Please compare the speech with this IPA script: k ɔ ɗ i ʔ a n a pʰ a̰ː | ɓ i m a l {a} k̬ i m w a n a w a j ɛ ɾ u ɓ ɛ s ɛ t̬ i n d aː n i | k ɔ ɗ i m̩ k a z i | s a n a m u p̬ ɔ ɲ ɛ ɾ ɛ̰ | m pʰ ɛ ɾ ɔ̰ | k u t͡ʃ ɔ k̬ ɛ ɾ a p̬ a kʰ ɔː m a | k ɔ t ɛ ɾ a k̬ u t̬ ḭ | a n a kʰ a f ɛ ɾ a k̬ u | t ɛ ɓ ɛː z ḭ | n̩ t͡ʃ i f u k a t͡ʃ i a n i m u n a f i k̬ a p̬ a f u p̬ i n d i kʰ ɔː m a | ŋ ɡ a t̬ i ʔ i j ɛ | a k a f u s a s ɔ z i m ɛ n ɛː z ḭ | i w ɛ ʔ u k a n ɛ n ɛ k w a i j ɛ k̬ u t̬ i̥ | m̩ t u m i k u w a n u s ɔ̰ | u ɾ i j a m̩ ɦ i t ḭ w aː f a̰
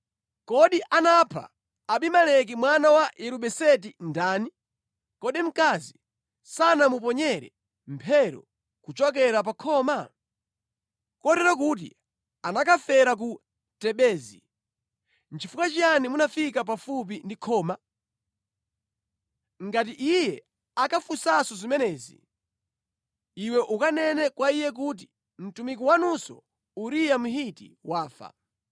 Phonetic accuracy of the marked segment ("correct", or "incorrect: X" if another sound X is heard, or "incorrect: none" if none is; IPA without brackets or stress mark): incorrect: ɛ